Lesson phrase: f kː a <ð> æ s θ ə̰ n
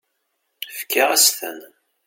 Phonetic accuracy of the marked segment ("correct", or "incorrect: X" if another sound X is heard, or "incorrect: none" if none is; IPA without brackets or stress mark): incorrect: ʁ